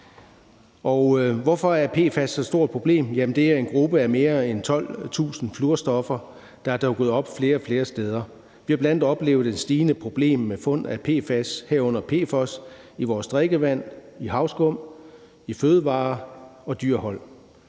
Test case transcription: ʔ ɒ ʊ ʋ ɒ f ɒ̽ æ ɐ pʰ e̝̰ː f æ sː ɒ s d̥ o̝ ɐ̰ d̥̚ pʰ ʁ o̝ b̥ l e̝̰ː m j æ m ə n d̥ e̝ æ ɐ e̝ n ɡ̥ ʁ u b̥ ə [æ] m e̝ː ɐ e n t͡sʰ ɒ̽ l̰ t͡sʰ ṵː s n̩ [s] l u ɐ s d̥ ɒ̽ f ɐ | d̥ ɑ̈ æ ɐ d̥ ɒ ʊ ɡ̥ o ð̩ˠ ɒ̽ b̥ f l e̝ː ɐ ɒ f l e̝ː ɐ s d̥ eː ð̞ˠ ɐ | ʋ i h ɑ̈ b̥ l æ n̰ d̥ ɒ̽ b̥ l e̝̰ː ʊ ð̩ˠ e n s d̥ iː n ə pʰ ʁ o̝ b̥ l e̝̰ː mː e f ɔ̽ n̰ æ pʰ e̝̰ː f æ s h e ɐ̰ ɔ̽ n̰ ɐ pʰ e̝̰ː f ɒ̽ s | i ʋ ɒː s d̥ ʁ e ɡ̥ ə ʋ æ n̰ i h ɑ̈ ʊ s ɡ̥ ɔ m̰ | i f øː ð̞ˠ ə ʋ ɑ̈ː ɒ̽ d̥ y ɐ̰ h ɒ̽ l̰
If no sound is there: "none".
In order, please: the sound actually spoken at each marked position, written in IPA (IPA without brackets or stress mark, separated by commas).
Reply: æ, f